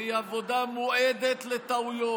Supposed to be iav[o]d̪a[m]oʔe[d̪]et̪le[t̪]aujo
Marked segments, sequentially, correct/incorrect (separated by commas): correct, correct, correct, correct